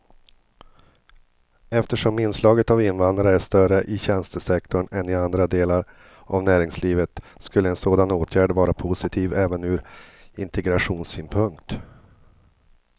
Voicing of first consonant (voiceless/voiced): voiceless